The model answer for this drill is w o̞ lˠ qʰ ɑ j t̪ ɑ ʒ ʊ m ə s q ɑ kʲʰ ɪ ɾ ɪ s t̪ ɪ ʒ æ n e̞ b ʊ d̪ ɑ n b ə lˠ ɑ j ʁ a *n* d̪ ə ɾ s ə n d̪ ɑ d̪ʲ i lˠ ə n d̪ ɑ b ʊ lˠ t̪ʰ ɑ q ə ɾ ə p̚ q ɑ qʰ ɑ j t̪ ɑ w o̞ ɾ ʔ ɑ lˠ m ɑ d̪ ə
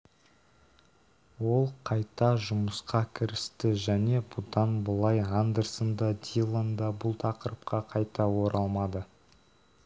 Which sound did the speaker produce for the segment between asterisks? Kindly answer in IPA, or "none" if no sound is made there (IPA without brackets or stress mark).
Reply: n